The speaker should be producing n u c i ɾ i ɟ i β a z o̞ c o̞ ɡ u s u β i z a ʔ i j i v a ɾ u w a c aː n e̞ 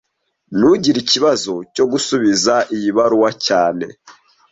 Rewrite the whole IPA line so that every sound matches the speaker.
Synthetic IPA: n u ɟ i ɾ i c i β a z o̞ c o̞ ɡ u s u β i z a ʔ i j i β a ɾ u w a c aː n e̞